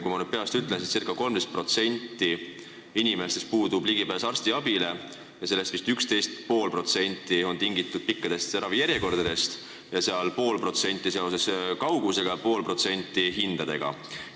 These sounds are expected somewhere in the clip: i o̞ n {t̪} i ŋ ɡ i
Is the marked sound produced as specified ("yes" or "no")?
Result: yes